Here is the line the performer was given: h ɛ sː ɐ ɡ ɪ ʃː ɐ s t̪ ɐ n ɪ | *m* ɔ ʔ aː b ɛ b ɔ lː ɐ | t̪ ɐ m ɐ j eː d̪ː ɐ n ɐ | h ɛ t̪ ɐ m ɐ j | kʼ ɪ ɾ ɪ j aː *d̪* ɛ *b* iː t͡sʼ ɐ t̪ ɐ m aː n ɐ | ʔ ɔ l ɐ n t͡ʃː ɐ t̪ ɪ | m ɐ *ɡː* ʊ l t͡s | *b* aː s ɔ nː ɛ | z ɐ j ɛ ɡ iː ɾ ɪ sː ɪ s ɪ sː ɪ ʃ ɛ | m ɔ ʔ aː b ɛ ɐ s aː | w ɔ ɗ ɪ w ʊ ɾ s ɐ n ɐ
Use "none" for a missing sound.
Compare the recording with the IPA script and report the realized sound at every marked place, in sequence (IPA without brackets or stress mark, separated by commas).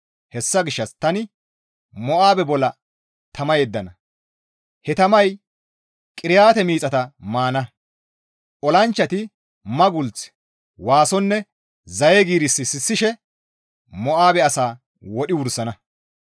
m, t̪, m, ɡ, w